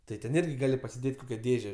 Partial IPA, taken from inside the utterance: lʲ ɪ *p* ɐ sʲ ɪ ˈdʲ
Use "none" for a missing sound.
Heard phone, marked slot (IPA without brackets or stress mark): p